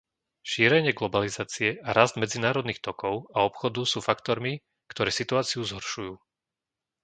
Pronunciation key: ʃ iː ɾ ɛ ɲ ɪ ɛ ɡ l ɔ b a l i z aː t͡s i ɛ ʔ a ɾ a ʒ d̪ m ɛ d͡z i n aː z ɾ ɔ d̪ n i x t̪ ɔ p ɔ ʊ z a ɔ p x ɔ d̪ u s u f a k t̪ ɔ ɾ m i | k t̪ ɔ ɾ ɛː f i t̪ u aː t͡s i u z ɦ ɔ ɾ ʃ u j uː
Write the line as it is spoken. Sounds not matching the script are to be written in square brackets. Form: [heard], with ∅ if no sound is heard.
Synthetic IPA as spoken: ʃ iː ɾ ɛ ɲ ɪ ɛ ɡ l ɔ b a l i z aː t͡s i ɛ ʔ a ɾ a [z] d̪ m ɛ d͡z i n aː [∅] ɾ ɔ d̪ n i x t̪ ɔ [k] ɔ ʊ [∅] a ɔ p x ɔ d̪ u s [uː] f a k t̪ ɔ ɾ m i | k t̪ ɔ ɾ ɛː [s] i t̪ u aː t͡s i u z ɦ ɔ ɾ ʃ u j uː